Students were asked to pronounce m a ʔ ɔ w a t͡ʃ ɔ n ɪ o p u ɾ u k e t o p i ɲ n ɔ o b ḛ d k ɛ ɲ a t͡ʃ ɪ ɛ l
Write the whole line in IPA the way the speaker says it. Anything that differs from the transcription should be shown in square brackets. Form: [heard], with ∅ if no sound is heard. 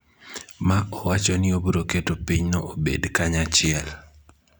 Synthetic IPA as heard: m a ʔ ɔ w a t͡ʃ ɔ n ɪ o [b] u ɾ [o] k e t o p i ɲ n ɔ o b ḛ d k [a] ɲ a t͡ʃ ɪ ɛ l